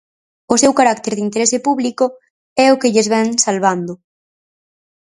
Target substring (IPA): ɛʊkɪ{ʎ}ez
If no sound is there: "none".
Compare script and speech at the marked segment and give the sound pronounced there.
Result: ʎ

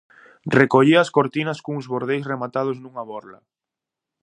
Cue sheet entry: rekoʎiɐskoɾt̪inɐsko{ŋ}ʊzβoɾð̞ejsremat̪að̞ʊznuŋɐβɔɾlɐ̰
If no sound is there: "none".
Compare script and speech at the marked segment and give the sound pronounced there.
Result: ŋ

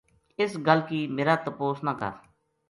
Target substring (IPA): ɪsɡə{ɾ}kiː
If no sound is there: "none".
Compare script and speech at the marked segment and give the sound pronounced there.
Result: l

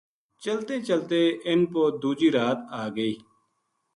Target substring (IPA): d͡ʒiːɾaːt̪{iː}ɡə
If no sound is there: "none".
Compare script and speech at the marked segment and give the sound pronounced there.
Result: aː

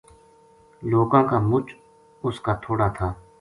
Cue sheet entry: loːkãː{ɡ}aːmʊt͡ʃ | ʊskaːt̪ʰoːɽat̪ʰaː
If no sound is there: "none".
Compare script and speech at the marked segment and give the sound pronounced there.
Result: k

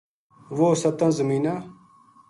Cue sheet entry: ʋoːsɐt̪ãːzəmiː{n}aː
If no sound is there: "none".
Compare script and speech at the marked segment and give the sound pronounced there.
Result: n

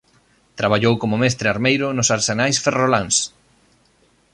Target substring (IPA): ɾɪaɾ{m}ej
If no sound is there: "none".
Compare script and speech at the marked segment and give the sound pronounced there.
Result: m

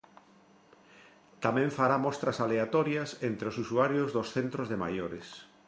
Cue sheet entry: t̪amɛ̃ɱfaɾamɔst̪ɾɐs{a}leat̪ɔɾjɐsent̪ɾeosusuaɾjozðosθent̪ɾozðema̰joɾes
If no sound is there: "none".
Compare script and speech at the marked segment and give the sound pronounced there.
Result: a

